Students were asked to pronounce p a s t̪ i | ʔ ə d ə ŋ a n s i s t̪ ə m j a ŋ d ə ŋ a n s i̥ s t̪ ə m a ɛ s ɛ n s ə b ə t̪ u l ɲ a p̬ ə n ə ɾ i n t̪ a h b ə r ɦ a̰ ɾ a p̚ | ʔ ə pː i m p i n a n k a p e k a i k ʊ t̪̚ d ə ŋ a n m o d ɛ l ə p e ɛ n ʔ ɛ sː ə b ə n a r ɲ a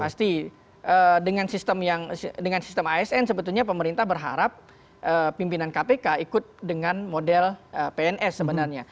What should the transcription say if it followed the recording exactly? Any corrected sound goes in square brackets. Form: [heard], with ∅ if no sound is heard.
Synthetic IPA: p a s t̪ i | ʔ ə d ə ŋ a n s i s t̪ ə m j a ŋ d ə ŋ a n s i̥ s t̪ ə m a ɛ s ɛ n s ə b ə t̪ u l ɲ a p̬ ə [m] ə ɾ i n t̪ a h b ə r ɦ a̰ ɾ a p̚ | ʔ ə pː i m p i n a n k a p e k a i k ʊ t̪̚ d ə ŋ a n m o d ɛ l ə p e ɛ n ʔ ɛ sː ə b ə n a r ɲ a